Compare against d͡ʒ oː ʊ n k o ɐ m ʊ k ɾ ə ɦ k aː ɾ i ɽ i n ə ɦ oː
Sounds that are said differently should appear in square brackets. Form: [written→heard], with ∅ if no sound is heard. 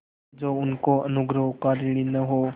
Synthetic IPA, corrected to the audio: d͡ʒ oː ʊ n k o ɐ [m→n] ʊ [k→ɡ] ɾ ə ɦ k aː ɾ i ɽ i n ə ɦ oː